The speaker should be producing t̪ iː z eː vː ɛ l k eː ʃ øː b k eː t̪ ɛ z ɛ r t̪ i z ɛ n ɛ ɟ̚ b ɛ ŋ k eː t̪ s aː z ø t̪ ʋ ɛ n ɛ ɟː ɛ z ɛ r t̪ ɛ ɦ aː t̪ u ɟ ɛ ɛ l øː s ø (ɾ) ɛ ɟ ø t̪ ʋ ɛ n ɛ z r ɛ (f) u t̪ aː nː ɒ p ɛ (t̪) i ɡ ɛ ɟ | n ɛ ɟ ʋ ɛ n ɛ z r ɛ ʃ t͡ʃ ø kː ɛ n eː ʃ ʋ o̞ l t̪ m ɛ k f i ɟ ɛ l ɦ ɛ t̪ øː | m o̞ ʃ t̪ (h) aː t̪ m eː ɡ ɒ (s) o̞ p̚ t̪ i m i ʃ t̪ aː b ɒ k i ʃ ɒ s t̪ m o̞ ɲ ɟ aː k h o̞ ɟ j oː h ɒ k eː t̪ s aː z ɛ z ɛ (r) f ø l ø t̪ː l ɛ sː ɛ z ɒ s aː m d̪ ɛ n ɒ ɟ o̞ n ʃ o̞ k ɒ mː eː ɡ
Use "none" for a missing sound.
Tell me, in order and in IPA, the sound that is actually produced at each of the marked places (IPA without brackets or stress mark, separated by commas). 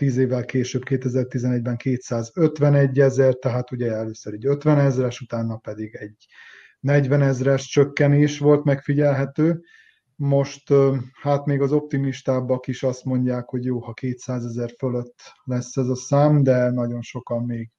ɾ, ʃ, d̪, h, z, r